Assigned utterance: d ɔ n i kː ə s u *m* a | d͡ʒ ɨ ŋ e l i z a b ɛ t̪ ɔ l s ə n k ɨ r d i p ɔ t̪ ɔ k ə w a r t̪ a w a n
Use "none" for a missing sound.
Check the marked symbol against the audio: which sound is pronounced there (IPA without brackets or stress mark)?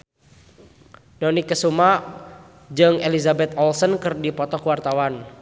m